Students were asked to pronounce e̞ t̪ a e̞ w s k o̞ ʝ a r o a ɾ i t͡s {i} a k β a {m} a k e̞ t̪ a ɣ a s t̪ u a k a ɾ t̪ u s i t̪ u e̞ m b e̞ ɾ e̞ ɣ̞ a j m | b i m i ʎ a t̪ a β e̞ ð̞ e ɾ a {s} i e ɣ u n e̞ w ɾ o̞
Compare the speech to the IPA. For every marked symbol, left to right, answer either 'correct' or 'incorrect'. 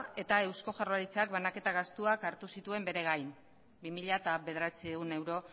incorrect: e, incorrect: n, incorrect: t͡s

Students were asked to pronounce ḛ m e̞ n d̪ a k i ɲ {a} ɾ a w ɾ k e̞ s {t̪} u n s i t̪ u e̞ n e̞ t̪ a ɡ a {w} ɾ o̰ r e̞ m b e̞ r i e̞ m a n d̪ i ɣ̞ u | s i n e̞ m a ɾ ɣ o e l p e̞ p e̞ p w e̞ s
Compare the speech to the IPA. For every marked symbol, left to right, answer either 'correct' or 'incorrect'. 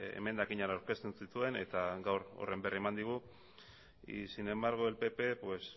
correct, correct, correct

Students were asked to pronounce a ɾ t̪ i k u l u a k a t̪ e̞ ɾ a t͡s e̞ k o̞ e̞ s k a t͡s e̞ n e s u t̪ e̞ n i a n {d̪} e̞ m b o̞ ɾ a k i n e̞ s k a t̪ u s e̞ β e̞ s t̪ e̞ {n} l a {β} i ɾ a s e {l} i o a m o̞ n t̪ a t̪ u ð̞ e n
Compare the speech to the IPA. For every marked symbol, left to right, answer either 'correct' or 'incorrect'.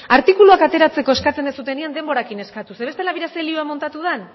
correct, incorrect: none, correct, correct

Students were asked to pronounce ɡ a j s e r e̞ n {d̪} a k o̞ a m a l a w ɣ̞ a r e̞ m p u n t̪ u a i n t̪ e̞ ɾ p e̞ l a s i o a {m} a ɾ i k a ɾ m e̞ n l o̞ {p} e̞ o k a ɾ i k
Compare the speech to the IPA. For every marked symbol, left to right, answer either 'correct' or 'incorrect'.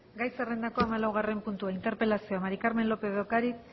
correct, correct, correct

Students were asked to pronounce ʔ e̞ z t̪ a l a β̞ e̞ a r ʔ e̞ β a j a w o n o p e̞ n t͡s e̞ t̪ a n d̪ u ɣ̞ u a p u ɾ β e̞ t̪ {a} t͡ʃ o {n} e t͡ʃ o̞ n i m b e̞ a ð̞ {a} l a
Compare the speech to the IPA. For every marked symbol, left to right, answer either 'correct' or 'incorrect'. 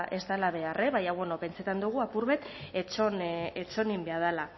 incorrect: e, correct, correct

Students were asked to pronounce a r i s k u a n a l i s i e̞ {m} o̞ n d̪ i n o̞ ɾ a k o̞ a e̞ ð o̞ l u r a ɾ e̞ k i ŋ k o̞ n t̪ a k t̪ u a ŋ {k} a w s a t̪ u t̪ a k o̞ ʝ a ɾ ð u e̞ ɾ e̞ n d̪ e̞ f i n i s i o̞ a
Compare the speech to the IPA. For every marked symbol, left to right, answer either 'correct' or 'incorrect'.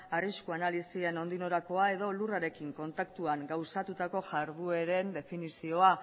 incorrect: n, incorrect: ɡ

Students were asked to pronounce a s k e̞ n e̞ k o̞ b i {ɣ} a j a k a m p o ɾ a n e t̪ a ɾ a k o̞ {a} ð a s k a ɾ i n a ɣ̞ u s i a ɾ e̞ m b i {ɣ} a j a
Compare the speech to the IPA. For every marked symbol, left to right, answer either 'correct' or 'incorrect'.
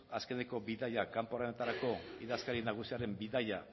incorrect: ð, incorrect: i, incorrect: ð

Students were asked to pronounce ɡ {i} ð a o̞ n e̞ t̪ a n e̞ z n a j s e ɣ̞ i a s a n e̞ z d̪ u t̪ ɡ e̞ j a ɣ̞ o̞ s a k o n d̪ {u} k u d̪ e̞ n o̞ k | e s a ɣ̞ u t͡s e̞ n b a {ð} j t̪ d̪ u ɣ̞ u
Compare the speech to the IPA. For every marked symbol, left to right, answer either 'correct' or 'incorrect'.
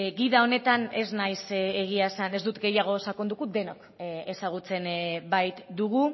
correct, correct, incorrect: none

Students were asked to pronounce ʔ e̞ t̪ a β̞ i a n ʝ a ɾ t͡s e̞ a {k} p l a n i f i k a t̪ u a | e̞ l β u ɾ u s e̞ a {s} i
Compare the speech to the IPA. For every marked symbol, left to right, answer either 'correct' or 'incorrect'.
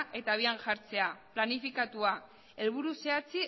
incorrect: none, incorrect: t͡s

